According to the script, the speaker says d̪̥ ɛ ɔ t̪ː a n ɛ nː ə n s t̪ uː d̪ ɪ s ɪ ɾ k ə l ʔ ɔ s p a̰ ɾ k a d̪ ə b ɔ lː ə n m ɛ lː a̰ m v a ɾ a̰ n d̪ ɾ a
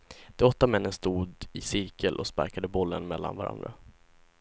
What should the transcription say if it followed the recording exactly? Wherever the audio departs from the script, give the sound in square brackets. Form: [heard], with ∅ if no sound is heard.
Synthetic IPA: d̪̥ ɛ ɔ t̪ː a [m] ɛ nː ə n s t̪ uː d̪ ɪ s ɪ ɾ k ə l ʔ ɔ s p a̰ ɾ k a d̪ ə b ɔ lː ə n m ɛ lː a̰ [n] v a ɾ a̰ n d̪ ɾ a